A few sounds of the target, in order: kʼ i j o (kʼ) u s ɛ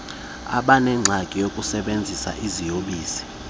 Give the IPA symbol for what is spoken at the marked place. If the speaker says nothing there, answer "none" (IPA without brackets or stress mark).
kʼ